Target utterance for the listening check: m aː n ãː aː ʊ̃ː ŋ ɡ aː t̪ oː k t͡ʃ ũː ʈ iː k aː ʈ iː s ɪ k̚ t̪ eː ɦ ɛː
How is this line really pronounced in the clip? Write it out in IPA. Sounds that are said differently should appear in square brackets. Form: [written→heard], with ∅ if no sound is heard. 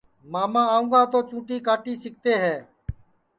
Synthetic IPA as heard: m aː [n→m] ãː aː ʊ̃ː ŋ ɡ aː t̪ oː [k→∅] t͡ʃ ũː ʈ iː k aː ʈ iː s ɪ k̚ t̪ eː ɦ ɛː